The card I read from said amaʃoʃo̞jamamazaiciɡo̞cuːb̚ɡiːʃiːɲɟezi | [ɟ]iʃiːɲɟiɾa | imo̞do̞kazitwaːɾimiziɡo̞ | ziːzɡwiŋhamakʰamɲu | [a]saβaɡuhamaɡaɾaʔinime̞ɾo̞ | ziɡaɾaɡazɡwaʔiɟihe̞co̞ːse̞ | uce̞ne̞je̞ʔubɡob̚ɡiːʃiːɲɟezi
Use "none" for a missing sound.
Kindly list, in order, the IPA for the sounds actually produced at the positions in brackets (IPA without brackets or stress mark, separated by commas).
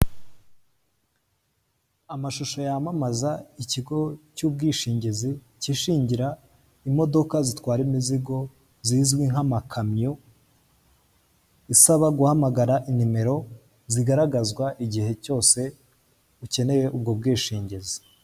c, i